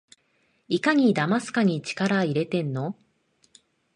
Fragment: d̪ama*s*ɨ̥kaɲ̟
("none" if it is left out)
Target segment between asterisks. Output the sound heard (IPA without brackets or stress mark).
s